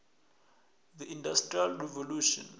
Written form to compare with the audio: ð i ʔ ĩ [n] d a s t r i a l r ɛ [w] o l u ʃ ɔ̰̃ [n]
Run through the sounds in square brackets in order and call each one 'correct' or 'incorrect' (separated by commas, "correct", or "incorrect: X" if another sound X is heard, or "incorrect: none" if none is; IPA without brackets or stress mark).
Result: correct, incorrect: v, correct